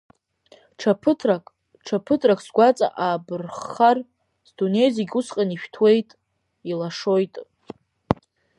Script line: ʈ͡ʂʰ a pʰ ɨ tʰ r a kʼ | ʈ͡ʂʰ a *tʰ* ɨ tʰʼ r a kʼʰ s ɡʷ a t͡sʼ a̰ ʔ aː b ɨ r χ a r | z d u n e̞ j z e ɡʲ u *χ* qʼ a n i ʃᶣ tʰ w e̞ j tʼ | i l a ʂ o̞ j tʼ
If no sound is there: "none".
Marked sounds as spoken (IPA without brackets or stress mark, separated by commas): pʰ, s